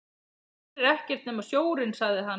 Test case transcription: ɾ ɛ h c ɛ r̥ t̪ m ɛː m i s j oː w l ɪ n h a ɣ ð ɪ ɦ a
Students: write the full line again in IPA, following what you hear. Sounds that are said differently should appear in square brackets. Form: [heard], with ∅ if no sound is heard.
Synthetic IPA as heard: ɾ ɛ h c ɛ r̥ t̪ [n] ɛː m [a] s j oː w [ɾ] ɪ n [s] a ɣ ð ɪ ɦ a